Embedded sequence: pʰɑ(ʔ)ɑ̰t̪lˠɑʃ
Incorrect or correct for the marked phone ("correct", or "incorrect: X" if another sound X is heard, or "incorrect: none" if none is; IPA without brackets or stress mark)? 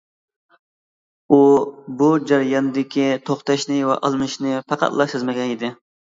incorrect: q